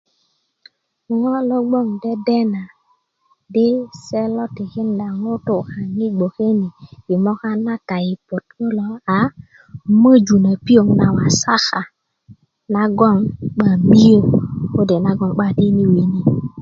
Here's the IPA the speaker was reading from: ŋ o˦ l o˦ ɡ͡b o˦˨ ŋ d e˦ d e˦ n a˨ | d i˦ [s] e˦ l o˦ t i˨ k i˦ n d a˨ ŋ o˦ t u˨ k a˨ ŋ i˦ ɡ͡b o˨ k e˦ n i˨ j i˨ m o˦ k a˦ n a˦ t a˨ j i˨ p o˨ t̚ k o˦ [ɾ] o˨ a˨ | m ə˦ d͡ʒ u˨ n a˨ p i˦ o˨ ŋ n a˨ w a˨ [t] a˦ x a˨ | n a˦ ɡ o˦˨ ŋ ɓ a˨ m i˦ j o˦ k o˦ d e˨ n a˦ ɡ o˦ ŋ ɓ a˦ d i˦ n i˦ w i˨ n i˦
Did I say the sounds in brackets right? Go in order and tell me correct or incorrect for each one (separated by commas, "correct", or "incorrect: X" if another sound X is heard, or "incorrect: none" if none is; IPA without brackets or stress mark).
correct, incorrect: l, incorrect: s